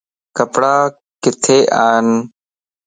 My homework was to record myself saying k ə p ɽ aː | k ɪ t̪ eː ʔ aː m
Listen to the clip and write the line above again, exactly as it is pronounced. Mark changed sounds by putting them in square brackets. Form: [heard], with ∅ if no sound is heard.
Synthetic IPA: k ə p ɽ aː | k ɪ [t̪ʰ] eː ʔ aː [n]